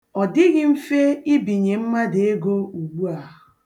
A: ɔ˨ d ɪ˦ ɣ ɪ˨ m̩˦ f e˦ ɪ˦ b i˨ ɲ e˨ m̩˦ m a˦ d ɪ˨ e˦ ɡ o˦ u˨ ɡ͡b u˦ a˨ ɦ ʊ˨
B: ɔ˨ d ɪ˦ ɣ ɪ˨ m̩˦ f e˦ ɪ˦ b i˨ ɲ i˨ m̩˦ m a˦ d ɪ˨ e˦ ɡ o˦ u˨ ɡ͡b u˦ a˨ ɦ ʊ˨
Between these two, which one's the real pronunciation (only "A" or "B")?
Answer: A